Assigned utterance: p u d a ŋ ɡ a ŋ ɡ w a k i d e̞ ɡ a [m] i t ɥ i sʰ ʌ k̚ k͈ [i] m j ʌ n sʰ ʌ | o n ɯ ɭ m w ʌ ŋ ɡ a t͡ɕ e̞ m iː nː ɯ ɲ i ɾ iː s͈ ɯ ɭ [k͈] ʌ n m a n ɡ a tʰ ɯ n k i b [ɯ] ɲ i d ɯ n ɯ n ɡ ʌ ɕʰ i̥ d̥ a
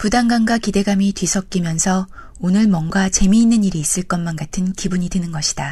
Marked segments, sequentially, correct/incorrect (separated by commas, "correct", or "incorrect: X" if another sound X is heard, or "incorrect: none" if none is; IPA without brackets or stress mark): correct, correct, correct, incorrect: u